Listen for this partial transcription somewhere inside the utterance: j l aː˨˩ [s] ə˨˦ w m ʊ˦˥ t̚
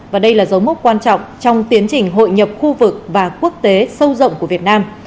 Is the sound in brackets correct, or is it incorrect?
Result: incorrect